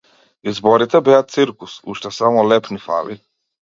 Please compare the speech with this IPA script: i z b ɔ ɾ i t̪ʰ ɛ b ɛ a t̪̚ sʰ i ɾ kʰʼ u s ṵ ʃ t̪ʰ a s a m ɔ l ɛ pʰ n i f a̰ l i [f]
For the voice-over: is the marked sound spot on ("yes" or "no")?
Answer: no